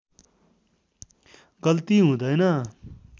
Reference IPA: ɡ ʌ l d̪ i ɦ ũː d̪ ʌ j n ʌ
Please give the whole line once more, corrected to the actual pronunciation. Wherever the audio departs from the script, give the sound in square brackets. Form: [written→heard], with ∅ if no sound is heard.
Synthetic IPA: ɡ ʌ l [d̪→t̪] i ɦ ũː d̪ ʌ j n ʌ